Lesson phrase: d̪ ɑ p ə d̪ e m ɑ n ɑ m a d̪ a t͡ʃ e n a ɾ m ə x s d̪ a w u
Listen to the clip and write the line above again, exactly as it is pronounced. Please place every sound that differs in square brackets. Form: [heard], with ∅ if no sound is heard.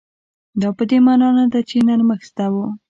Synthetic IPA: d̪ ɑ p ə d̪ e m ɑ n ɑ [n] a d̪ a t͡ʃ e n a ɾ m ə x s [t̪] a w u